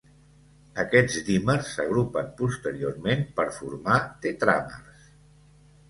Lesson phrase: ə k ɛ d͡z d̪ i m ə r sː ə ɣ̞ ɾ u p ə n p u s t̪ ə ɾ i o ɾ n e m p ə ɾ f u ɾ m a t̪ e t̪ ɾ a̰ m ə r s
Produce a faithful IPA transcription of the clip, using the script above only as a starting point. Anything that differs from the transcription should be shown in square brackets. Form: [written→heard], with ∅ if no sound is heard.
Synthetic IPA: ə k ɛ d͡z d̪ i m ə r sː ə ɣ̞ ɾ u p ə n p u s t̪ ə ɾ i o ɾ [n→m] e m p ə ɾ f u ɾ m a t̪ e t̪ ɾ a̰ m ə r s